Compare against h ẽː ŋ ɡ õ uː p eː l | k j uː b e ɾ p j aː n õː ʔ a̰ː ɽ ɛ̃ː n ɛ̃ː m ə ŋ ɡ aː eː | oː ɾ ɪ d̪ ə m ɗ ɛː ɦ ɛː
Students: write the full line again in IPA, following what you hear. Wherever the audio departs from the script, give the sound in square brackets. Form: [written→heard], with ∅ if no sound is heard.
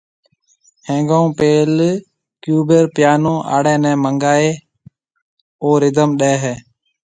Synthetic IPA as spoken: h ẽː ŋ ɡ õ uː p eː l | k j uː b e ɾ p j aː n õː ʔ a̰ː ɽ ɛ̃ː n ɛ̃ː m ə ŋ ɡ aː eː | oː ɾ ɪ d̪ ə m ɗ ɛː ɦ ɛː